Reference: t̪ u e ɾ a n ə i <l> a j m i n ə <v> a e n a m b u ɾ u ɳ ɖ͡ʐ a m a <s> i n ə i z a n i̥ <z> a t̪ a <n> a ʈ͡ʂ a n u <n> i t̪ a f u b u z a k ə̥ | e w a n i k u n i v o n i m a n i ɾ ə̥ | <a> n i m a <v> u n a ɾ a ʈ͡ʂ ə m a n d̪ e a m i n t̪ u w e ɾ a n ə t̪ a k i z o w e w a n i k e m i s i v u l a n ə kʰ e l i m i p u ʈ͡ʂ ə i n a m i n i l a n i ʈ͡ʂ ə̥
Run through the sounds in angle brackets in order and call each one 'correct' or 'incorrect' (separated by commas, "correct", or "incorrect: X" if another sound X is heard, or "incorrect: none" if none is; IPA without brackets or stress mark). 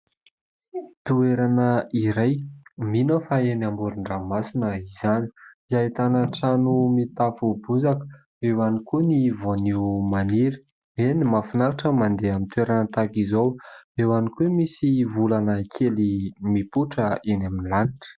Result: incorrect: ɾ, incorrect: f, correct, correct, correct, incorrect: m, incorrect: e, incorrect: f